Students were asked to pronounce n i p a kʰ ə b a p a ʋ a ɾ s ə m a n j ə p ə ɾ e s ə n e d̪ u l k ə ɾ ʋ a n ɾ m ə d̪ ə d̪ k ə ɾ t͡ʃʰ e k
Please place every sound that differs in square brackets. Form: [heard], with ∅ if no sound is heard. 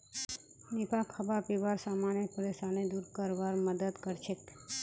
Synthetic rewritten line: n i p a kʰ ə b a p [i] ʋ a ɾ s [a] m a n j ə p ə ɾ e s [a] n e d̪ u [ɾ] k ə ɾ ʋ a [∅] ɾ m ə d̪ ə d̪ k ə ɾ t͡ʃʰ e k